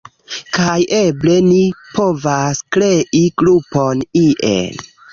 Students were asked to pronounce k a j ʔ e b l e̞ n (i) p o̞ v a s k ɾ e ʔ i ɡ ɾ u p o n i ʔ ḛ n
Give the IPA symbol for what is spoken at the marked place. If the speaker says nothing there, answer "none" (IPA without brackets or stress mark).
i